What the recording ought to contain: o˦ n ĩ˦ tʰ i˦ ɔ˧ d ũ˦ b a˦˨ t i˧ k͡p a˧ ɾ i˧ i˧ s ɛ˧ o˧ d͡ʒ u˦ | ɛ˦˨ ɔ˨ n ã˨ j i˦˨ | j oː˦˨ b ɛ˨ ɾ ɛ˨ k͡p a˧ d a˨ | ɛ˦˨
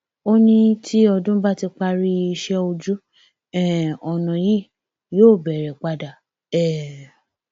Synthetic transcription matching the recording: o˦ n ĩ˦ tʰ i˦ ɔ˧ d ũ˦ b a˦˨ t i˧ k͡p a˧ ɾ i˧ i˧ ʃ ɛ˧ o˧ d͡ʒ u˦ | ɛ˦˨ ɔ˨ n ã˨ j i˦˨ | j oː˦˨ b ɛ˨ ɾ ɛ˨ k͡p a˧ d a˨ | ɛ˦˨